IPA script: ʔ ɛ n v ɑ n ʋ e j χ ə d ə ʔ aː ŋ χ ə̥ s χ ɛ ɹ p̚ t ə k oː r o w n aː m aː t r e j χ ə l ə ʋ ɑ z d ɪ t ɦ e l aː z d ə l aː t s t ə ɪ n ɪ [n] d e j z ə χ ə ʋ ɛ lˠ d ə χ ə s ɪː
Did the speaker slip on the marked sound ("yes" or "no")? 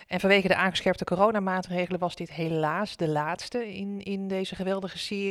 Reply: no